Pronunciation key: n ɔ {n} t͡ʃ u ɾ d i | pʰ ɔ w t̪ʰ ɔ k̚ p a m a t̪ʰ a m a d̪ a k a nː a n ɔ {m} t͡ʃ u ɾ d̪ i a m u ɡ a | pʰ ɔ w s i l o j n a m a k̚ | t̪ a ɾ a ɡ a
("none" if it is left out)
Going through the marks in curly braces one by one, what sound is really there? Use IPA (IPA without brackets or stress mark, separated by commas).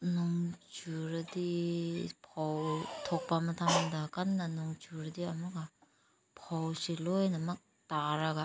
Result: ŋ, ŋ